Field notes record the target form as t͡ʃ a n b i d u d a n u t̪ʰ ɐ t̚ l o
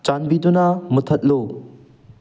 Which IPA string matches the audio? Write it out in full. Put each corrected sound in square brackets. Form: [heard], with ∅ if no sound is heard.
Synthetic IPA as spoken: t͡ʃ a n b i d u [n] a [m] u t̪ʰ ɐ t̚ l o